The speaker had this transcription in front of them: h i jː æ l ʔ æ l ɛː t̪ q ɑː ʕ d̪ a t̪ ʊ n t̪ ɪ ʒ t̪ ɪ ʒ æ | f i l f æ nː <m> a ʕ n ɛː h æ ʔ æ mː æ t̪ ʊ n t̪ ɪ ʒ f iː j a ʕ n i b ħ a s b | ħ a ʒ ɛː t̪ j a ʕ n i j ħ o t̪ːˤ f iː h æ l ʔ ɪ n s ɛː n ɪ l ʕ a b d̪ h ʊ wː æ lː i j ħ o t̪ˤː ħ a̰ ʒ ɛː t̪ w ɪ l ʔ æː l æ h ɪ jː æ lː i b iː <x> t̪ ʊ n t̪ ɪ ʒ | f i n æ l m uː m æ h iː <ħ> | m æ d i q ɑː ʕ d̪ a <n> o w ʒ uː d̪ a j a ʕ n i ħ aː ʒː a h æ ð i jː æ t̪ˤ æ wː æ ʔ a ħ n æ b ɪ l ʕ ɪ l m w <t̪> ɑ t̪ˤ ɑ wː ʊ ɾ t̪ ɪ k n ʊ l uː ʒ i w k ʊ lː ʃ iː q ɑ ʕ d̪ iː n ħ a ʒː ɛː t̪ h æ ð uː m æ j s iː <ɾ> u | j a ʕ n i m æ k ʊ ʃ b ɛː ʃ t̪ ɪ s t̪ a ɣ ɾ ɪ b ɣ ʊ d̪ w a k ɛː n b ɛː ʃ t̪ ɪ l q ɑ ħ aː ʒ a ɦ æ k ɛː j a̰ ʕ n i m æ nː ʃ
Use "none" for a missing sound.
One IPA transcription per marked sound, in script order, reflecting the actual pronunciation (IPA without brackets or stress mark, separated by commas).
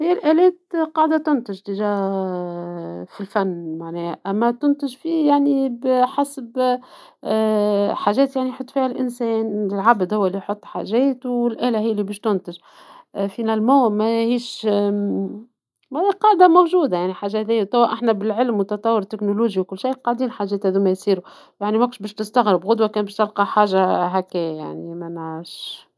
m, ʃ, ʃ, m, t̪, ɾ